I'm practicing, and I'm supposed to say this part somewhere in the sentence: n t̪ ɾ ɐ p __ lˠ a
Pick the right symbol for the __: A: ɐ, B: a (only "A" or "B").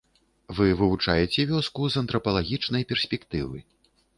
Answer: A